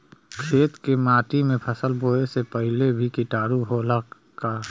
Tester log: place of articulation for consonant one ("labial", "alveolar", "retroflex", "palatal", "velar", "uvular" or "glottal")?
velar